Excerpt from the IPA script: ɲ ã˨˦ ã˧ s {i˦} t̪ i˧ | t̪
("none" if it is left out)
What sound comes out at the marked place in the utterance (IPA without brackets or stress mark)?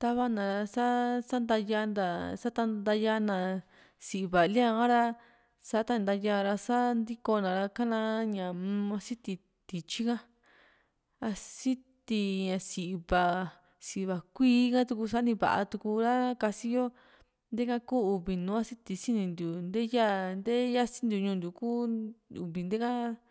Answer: i˦